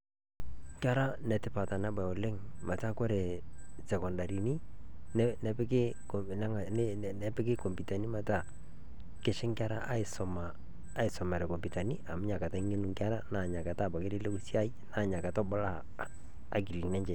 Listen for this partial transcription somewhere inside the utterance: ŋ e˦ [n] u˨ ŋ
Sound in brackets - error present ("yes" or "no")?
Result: no